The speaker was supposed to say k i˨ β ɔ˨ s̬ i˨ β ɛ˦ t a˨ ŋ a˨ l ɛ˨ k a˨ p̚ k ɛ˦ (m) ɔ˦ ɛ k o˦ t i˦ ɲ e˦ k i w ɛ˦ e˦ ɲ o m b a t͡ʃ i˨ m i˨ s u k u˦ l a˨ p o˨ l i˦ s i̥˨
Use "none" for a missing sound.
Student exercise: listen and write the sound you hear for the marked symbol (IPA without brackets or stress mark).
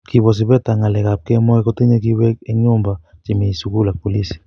m